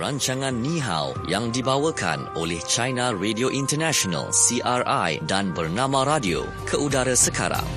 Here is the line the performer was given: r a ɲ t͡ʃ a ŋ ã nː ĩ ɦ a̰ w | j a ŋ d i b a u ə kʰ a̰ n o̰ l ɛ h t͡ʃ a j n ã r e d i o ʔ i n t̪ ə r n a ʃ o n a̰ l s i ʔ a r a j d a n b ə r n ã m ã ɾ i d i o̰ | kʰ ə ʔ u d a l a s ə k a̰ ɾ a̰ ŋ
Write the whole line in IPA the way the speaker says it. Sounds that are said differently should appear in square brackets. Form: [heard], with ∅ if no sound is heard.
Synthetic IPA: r a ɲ t͡ʃ a ŋ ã nː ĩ ɦ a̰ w | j a ŋ d i b a [w] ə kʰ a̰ n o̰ l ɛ h t͡ʃ a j n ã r e d i o ʔ i n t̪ ə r n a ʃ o n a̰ l s i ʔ a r a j d a n b ə r n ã m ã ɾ [a] d i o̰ | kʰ ə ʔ u d a [ɾ] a s ə k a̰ ɾ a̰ ŋ